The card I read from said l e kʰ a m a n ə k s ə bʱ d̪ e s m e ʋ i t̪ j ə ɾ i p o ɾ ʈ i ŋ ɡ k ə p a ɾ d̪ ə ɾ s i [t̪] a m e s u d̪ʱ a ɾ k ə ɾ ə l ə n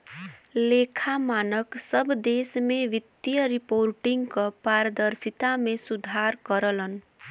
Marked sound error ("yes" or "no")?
no